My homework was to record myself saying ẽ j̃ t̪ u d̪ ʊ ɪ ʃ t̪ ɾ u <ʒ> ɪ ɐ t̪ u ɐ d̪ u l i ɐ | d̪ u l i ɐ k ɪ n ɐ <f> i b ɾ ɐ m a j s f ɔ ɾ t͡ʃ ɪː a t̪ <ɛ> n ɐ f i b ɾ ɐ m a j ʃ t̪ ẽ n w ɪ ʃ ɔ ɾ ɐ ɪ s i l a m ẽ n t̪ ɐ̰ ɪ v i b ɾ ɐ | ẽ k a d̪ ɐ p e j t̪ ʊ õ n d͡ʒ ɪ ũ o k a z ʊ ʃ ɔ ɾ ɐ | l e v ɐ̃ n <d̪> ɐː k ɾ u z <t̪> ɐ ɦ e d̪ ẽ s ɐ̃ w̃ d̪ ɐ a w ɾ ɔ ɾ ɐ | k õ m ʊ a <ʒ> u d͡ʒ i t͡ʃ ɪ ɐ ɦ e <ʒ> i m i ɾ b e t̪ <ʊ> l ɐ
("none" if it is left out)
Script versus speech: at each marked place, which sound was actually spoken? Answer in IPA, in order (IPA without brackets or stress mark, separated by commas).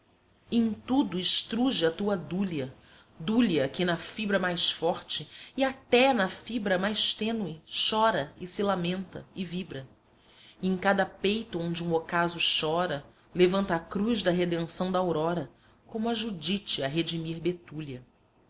ʒ, f, ɛ, t̪, d̪, ʒ, d͡ʒ, u